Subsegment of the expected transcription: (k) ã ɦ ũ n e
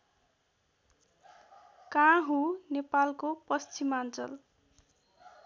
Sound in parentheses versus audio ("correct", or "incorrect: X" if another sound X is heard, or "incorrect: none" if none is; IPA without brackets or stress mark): correct